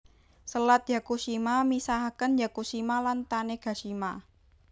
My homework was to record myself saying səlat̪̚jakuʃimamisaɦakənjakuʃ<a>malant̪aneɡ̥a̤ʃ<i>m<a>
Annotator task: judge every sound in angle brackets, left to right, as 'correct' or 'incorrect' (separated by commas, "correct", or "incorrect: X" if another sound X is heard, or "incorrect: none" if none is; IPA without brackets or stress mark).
incorrect: i, correct, correct